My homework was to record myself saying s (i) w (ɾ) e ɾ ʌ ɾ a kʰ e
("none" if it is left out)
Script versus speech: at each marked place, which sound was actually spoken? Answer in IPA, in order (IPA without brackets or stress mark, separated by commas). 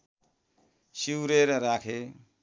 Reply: i, ɾ